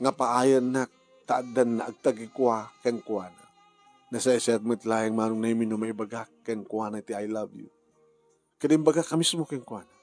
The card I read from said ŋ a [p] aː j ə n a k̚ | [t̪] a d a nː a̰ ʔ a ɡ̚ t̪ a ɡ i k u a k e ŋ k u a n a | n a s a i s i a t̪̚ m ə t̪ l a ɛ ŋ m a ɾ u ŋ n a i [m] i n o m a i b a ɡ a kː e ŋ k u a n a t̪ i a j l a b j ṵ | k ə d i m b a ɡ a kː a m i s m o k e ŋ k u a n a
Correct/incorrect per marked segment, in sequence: correct, correct, correct

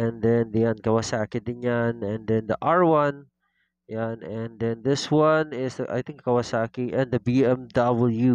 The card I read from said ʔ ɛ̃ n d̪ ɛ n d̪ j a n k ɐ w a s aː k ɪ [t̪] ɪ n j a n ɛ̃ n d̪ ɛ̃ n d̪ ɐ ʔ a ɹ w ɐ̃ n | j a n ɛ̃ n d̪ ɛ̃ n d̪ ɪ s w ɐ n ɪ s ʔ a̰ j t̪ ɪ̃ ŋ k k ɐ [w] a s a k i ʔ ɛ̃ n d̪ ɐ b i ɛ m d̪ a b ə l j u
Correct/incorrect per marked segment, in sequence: incorrect: d̪, correct

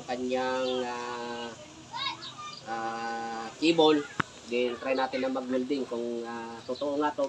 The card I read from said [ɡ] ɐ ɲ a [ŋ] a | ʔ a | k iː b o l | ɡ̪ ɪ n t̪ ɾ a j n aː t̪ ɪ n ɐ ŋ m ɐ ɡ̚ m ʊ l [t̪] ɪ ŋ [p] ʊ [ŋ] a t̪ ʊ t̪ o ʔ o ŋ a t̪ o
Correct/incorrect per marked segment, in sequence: incorrect: k, correct, incorrect: d̪, incorrect: k, correct

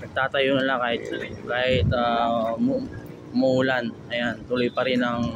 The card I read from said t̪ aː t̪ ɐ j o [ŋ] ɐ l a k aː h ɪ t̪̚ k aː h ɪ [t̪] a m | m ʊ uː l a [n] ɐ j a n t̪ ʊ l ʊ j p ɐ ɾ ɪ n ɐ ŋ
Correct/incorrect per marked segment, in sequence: incorrect: n, correct, correct

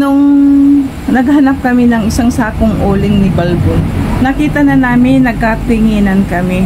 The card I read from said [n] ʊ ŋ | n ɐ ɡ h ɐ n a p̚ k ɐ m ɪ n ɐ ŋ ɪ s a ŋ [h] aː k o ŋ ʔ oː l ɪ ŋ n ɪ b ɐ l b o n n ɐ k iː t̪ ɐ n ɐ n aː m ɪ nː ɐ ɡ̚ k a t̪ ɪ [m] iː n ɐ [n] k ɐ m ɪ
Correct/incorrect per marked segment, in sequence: correct, incorrect: s, incorrect: ŋ, correct

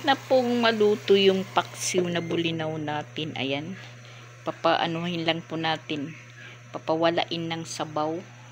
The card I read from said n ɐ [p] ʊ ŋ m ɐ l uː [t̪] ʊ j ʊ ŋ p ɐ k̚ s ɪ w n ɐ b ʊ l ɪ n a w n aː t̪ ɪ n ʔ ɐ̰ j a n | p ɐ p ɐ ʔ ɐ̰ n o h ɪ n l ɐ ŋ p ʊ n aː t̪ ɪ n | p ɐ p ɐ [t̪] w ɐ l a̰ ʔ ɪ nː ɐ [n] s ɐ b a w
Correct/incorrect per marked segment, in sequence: correct, correct, incorrect: none, incorrect: ŋ

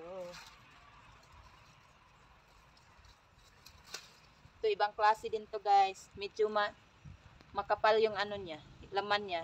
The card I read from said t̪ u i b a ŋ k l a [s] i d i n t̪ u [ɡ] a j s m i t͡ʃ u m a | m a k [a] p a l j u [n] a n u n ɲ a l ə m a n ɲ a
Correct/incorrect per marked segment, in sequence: correct, correct, correct, incorrect: ŋ

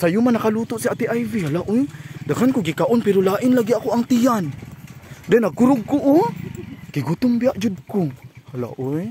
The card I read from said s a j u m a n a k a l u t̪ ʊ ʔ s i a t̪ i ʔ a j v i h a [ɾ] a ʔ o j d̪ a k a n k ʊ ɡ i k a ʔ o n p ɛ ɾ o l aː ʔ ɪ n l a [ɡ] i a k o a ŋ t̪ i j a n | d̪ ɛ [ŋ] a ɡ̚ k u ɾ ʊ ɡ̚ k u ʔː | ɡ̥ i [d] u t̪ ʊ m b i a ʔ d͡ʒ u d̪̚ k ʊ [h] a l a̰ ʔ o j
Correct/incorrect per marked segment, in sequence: incorrect: l, correct, incorrect: n, incorrect: ɡ, correct

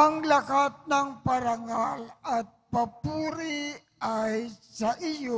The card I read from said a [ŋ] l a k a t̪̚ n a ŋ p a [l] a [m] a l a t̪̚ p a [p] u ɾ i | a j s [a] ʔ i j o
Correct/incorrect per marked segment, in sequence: correct, incorrect: ɾ, incorrect: ŋ, correct, correct

